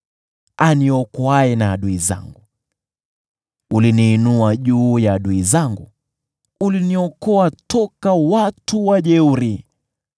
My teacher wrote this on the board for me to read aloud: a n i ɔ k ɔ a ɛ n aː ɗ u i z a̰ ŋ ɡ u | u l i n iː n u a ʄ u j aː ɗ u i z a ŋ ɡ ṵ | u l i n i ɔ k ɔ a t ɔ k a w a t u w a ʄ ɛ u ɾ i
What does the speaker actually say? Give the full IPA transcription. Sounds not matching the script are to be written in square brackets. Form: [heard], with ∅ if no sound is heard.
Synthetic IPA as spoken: a n i ɔ k ɔ a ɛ n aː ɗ u i z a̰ ŋ ɡ u | u l i n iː n u a ʄ [uː] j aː ɗ u i z a ŋ ɡ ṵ | u l i n i ɔ k ɔ a t ɔ k a w a t u w a ʄ ɛ u ɾ i